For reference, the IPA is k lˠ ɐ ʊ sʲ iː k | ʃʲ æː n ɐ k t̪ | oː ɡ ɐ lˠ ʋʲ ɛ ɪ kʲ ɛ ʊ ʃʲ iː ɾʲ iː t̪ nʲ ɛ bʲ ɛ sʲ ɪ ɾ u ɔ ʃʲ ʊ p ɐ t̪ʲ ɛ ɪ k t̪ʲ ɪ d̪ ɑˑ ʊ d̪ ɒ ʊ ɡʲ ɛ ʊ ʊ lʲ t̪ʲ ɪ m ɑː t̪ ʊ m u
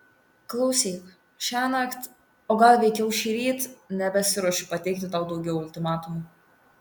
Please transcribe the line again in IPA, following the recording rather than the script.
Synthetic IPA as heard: k lˠ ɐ ʊ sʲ iː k | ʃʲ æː n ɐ k t̪ | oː ɡ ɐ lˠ ʋʲ ɛ ɪ kʲ ɛ ʊ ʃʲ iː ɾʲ iː t̪ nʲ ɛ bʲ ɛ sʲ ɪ ɾ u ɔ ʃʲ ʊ p ɐ t̪ʲ ɛ ɪ k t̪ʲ ɪ t̪ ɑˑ ʊ d̪ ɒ ʊ ɡʲ ɛ ʊ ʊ lʲ t̪ʲ ɪ m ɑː t̪ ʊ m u

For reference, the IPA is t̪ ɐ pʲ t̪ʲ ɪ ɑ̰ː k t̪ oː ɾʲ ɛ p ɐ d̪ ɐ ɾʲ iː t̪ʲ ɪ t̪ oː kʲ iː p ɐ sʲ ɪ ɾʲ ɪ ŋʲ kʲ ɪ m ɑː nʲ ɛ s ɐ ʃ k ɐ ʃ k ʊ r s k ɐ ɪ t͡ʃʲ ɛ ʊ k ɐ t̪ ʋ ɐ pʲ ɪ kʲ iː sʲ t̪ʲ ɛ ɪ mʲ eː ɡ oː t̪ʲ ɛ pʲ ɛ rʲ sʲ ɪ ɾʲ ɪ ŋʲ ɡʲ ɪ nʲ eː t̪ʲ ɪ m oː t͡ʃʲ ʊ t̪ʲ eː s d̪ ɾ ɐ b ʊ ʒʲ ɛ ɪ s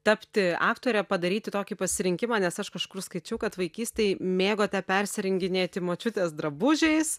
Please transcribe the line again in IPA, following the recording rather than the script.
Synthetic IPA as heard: t̪ ɐ pʲ t̪ʲ ɪ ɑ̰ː k t̪ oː ɾʲ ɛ p ɐ d̪ ɐ ɾʲ iː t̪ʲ ɪ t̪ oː kʲ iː p ɐ sʲ ɪ ɾʲ ɪ ŋʲ kʲ ɪ m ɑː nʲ ɛ s ɐ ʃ k ɐ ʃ k ʊ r s k ɐ ɪ t͡ʃʲ ɛ ʊ k ɐ t̪ ʋ ɐ ɪ kʲ iː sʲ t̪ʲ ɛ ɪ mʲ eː ɡ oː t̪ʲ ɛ pʲ ɛ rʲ sʲ ɪ ɾʲ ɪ ŋʲ ɡʲ ɪ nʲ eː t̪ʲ ɪ m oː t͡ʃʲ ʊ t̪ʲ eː s d̪ ɾ ɐ b ʊ ʒʲ ɛ ɪ s

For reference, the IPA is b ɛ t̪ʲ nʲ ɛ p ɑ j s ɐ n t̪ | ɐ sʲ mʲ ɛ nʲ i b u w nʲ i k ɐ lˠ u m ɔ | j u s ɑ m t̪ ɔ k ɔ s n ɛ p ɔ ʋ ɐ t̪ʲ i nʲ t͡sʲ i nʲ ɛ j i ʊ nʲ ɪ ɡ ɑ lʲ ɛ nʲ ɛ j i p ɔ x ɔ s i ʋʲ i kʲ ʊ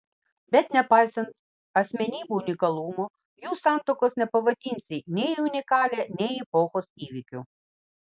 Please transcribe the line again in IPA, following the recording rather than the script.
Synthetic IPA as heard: b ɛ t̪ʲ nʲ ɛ p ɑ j s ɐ n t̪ | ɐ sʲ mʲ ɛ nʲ i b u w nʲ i k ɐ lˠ u m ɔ | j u s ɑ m t̪ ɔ k ɔ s n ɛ p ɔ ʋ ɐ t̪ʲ i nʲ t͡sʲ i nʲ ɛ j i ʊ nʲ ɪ k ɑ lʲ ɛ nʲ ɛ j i p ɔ x ɔ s i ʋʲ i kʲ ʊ

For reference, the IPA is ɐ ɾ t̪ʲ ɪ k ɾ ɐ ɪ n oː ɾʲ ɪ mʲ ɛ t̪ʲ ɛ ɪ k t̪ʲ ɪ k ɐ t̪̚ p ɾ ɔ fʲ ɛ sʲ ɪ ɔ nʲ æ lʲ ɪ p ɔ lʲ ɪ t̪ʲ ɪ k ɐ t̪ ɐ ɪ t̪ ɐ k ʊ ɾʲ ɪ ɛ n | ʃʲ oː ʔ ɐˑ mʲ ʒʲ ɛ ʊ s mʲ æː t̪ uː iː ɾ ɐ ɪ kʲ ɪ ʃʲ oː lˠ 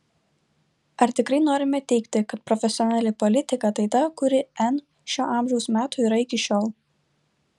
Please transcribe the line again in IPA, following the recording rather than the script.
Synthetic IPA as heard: ɐ ɾ t̪ʲ ɪ k ɾ ɐ ɪ n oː ɾʲ ɪ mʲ ɛ t̪ʲ ɛ ɪ k t̪ʲ ɪ k ɐ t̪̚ p ɾ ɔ fʲ ɛ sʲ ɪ ɔ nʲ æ lʲ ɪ p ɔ lʲ ɪ t̪ʲ ɪ k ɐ t̪ ɐ ɪ t̪ ɐ k ʊ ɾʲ ɪ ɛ n | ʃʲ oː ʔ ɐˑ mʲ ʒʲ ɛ ʊ s mʲ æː t̪ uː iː ɾ ɐ ɪ kʲ ɪ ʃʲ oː lˠ

